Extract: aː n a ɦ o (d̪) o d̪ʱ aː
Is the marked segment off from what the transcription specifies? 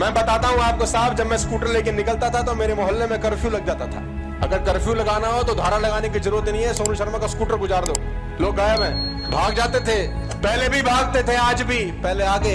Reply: yes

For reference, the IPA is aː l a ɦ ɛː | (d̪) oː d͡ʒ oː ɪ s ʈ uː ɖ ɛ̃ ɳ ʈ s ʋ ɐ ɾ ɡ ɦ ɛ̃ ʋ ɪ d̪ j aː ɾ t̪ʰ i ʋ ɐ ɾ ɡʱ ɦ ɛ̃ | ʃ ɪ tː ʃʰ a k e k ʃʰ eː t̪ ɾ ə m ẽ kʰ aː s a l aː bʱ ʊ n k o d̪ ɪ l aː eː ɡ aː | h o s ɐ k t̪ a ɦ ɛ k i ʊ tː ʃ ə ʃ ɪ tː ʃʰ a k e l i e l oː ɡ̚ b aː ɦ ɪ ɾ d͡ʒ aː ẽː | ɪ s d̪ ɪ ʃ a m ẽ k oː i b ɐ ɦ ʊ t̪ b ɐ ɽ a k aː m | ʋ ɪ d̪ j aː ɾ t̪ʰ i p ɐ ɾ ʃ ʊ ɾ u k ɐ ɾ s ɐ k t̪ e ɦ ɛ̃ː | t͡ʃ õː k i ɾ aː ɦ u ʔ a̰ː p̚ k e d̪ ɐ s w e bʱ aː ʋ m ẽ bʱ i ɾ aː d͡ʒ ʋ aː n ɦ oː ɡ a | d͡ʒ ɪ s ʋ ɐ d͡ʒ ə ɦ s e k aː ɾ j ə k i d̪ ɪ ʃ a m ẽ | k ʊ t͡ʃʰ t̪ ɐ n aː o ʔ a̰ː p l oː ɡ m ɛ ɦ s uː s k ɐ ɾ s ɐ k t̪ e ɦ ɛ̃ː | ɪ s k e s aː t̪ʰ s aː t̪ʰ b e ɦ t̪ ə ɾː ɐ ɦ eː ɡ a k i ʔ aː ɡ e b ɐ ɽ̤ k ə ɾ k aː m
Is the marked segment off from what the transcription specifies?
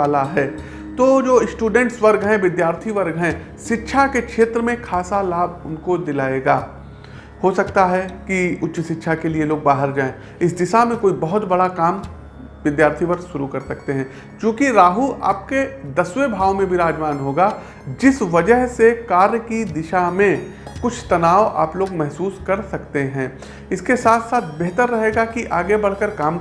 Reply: yes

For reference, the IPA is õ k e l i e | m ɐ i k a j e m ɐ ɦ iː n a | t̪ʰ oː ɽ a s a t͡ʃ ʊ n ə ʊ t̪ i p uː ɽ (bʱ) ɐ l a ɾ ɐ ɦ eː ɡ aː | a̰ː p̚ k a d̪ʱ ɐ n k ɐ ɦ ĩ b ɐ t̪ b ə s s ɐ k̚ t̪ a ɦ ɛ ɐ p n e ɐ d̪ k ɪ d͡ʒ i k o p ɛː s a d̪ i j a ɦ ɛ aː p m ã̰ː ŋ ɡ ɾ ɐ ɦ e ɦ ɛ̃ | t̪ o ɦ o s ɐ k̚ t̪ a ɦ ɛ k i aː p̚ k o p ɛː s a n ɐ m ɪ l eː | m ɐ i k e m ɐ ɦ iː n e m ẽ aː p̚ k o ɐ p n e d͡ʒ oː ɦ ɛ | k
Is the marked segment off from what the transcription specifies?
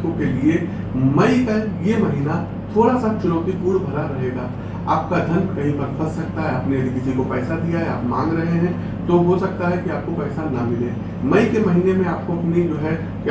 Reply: no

